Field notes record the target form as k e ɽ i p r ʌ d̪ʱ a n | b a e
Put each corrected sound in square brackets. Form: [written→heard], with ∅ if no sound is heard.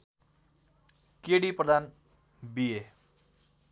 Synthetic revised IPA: k e ɽ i p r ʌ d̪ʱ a n | b [a→i] e